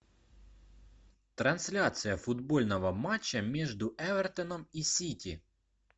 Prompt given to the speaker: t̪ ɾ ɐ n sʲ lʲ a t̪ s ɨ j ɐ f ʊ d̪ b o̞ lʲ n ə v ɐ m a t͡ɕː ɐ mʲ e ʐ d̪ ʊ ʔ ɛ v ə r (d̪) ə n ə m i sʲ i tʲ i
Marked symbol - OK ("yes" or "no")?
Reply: no